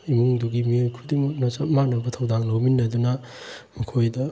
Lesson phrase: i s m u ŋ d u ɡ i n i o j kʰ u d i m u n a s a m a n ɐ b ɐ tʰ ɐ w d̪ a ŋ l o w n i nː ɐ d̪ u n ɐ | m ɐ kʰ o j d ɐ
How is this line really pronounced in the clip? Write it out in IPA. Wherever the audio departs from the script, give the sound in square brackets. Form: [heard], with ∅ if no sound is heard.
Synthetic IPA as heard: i [∅] m u ŋ d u ɡ i [m] i o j kʰ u d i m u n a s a m a n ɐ b ɐ tʰ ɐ w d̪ a ŋ l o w [m] i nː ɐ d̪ u n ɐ | m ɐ kʰ o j d ɐ